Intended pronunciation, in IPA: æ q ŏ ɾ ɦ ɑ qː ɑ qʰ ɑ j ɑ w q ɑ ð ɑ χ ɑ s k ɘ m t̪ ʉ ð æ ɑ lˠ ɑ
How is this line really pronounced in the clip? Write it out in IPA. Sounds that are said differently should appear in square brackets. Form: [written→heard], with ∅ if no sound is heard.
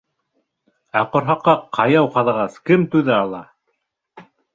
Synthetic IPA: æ q ŏ ɾ ɦ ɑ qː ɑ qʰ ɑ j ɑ w q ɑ ð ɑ [χ→ʁ] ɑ s k ɘ m t̪ ʉ ð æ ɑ lˠ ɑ

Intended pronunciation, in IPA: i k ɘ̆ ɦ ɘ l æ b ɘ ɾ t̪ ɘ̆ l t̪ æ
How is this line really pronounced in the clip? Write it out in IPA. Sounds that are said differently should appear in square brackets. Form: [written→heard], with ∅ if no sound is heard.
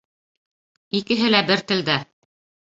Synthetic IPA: i k ɘ̆ ɦ ɘ l æ b ɘ ɾ t̪ ɘ̆ l [t̪→d̪] æ

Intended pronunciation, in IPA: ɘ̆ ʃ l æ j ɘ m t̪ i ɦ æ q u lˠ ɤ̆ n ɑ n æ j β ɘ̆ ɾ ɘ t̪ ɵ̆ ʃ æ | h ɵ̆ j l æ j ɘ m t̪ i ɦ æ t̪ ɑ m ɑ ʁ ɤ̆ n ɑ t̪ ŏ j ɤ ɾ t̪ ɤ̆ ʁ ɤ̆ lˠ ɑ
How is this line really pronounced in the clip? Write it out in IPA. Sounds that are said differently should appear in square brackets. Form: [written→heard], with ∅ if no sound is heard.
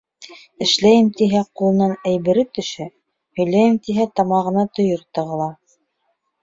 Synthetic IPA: ɘ̆ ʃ l æ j ɘ m t̪ i ɦ æ q u lˠ ɤ̆ n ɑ n æ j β ɘ̆ ɾ ɘ t̪ ɵ̆ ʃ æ | h ɵ̆ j l æ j ɘ m t̪ i ɦ æ t̪ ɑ m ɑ ʁ ɤ̆ n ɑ t̪ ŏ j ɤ ɾ t̪ ɤ̆ ʁ ɤ̆ lˠ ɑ

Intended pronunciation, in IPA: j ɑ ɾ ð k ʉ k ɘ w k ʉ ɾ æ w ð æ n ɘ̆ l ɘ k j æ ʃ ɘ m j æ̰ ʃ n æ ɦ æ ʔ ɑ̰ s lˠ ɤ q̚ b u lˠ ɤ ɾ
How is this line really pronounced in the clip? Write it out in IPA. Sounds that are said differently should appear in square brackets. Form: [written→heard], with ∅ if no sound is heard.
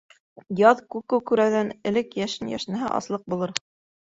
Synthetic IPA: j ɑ [ɾ→∅] ð k ʉ k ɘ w k ʉ ɾ æ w ð æ n ɘ̆ l ɘ k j æ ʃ ɘ [m→n] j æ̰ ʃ n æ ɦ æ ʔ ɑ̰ s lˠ ɤ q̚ b u lˠ ɤ ɾ

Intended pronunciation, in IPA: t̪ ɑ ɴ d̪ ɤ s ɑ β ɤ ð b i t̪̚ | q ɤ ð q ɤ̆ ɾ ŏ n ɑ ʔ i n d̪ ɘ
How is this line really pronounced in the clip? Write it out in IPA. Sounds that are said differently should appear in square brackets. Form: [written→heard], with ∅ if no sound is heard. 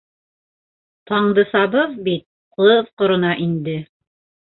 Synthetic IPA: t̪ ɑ ɴ d̪ ɤ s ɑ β ɤ ð b i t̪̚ | q ɤ ð q [ɤ̆→ŏ] ɾ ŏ n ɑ ʔ i n d̪ ɘ

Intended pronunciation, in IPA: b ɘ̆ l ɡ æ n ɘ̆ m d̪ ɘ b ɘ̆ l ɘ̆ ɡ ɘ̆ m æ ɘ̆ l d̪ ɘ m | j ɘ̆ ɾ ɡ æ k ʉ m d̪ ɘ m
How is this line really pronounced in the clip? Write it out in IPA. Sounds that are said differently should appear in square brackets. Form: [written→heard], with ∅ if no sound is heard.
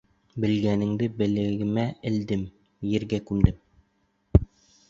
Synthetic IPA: b ɘ̆ l ɡ æ n ɘ̆ [m→ŋ] d̪ ɘ b ɘ̆ l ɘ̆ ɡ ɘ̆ m æ ɘ̆ l d̪ ɘ m | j ɘ̆ ɾ ɡ æ k ʉ m d̪ ɘ m

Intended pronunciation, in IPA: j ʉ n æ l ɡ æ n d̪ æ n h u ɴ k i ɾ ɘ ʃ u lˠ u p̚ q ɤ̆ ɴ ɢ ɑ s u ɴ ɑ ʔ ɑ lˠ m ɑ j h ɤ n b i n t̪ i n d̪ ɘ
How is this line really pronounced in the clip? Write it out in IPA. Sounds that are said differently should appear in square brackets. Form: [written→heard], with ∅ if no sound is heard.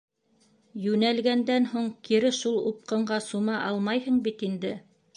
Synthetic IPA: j ʉ n æ l ɡ æ n d̪ æ n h u ɴ k i ɾ ɘ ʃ u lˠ u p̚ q ɤ̆ ɴ ɢ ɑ s u [ɴ→m] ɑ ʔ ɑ lˠ m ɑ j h ɤ [n→ɴ] b i [n→∅] t̪ i n d̪ ɘ

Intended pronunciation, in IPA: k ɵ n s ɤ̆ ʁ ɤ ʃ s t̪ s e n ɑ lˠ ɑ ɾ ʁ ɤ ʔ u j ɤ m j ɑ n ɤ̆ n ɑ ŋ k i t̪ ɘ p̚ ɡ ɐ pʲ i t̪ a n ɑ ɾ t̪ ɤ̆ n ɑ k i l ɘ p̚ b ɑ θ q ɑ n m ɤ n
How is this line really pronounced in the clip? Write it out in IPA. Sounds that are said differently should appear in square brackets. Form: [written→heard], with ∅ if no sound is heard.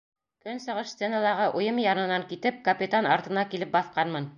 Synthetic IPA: k ɵ n s ɤ̆ ʁ ɤ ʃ s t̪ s e n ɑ lˠ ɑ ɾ ʁ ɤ ʔ u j ɤ m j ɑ n ɤ̆ n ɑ ŋ k i t̪ ɘ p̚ [ɡ→k] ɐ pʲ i t̪ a n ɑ ɾ t̪ ɤ̆ n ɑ k i l ɘ p̚ b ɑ θ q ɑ n m ɤ n

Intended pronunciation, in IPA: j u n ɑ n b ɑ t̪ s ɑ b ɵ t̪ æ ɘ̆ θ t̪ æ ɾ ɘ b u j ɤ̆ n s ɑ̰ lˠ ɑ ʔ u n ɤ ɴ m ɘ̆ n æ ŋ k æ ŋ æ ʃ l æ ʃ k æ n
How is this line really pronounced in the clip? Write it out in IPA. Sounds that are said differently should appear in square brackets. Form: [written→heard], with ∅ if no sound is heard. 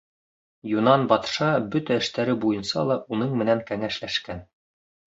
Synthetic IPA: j u n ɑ n b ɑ t̪ [s→ʃ] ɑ b ɵ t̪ æ ɘ̆ [θ→ʃ] t̪ æ ɾ ɘ b u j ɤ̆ n s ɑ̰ lˠ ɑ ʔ u n ɤ ɴ m ɘ̆ n æ ŋ k æ ŋ æ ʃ l æ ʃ k æ n

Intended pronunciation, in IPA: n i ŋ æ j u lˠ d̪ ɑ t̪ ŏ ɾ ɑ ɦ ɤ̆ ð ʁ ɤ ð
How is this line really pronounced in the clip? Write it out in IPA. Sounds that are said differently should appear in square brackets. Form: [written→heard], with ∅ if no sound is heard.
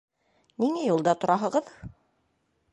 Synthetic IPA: n i ŋ æ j u lˠ d̪ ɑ t̪ ŏ ɾ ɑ ɦ ɤ̆ [ð→∅] ʁ ɤ ð

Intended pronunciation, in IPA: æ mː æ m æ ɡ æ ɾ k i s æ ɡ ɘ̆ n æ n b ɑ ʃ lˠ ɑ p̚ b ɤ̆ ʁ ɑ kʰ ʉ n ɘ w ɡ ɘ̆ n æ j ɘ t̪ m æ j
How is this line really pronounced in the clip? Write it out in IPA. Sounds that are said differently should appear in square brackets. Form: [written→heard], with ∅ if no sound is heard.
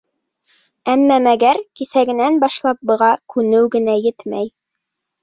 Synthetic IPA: æ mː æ m æ ɡ æ ɾ k i s æ ɡ ɘ̆ n æ n b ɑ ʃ lˠ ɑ p̚ b ɤ̆ ʁ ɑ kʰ ʉ n ɘ w ɡ ɘ̆ n æ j ɘ t̪ m æ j

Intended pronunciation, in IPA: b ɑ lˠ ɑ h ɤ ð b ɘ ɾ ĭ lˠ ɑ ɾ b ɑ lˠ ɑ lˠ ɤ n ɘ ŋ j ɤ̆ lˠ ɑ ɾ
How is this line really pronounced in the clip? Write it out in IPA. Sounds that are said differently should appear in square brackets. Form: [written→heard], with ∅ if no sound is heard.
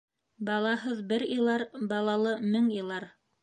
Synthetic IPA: b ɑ lˠ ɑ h ɤ ð b ɘ ɾ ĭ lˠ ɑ ɾ b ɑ lˠ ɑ lˠ ɤ [n→m] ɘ ŋ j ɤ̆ lˠ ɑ ɾ

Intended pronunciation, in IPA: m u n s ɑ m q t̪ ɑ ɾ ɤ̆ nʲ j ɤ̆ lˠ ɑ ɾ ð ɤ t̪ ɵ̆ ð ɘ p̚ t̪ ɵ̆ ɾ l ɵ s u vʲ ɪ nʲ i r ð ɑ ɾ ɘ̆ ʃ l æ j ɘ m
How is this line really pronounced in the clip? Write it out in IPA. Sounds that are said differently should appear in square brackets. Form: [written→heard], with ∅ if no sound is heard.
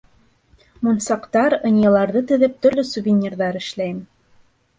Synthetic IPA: m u n s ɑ [m→∅] q t̪ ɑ ɾ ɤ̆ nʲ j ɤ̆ lˠ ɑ ɾ ð ɤ t̪ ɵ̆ ð ɘ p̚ t̪ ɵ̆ ɾ l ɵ s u vʲ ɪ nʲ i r ð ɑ ɾ ɘ̆ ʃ l æ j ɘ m

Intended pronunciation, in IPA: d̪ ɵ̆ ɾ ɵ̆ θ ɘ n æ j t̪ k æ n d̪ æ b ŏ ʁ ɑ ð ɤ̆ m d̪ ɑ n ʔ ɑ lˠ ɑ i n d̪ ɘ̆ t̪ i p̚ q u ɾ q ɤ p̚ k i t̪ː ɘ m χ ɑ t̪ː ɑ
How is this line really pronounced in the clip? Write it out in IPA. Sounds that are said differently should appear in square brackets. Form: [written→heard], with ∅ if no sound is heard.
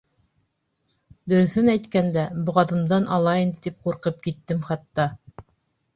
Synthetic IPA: d̪ ɵ̆ ɾ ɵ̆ θ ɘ n æ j t̪ k æ n d̪ æ b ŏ ʁ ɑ ð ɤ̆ m d̪ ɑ n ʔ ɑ lˠ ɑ i n d̪ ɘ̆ t̪ i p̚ q u ɾ q ɤ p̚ k i t̪ː ɘ m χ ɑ t̪ː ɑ

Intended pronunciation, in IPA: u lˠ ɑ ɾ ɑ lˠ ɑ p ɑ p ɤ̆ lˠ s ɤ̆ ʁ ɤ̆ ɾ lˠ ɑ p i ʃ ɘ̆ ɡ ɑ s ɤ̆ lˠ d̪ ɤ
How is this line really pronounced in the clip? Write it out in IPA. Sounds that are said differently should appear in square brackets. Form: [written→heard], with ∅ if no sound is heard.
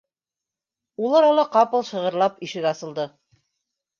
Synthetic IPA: u lˠ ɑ ɾ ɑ lˠ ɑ [p→q] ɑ p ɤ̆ lˠ [s→ʃ] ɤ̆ ʁ ɤ̆ ɾ lˠ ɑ p i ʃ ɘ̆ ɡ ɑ s ɤ̆ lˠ d̪ ɤ

